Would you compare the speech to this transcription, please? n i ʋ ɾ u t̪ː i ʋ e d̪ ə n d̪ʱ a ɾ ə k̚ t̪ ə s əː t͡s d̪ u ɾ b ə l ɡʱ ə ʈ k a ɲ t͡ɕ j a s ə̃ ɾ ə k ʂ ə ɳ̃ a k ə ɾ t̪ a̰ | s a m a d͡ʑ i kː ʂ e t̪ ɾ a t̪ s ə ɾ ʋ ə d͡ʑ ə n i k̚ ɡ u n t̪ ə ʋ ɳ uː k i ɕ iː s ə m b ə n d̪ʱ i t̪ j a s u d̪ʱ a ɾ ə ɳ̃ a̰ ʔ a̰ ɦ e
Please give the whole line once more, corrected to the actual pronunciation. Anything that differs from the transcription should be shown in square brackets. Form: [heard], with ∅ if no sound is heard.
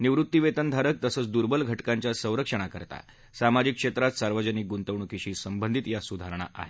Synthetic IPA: n i ʋ ɾ u t̪ː i ʋ e [t̪] ə n d̪ʱ a ɾ ə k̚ t̪ ə s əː t͡s d̪ u ɾ b ə l ɡʱ ə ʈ k a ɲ t͡ɕ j a s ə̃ ɾ ə k ʂ ə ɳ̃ a k ə ɾ t̪ a̰ | s a m a d͡ʑ i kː ʂ e t̪ ɾ a t̪ s [a] ɾ ʋ ə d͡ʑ ə n i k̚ ɡ u n t̪ ə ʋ ɳ [u] k i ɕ iː s ə m b ə n d̪ʱ i t̪ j a s u d̪ʱ a ɾ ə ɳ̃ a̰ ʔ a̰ ɦ e